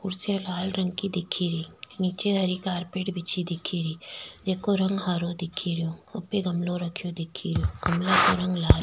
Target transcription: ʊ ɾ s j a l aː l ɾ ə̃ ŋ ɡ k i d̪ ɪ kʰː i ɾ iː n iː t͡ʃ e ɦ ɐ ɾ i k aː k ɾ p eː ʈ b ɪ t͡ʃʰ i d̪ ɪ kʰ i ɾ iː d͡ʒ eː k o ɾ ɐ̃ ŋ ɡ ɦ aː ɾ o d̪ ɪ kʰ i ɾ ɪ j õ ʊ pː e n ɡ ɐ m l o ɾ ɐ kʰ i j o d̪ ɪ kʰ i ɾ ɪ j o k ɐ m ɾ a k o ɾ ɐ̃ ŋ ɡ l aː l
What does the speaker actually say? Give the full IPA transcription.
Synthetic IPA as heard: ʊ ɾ s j a l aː l ɾ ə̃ ŋ ɡ k i d̪ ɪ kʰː i ɾ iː n iː t͡ʃ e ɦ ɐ ɾ i k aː ɾ p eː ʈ b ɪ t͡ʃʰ i d̪ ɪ kʰ i ɾ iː d͡ʒ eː k o ɾ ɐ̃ ŋ ɡ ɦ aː ɾ o d̪ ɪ kʰ i ɾ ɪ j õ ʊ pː e ɡ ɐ m l o ɾ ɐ kʰ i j o d̪ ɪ kʰ i ɾ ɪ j o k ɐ m l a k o ɾ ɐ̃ ŋ ɡ l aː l